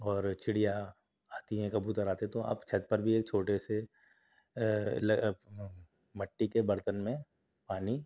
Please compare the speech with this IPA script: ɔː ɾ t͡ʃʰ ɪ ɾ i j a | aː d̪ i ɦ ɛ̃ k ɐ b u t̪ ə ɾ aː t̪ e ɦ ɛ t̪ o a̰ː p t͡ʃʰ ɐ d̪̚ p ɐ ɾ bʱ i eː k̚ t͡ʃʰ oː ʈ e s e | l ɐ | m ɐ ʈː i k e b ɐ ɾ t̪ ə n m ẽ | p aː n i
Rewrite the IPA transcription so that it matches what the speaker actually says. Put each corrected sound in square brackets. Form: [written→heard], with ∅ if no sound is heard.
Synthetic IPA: ɔː ɾ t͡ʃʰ ɪ [ɾ→ɽ] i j a | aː [d̪→t̪] i ɦ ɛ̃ k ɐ b u t̪ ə ɾ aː t̪ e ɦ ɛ t̪ o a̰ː p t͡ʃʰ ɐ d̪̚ p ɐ ɾ bʱ i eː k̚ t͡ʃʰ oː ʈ e s e | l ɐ | m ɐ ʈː i k e b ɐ ɾ t̪ ə n m ẽ | p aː n i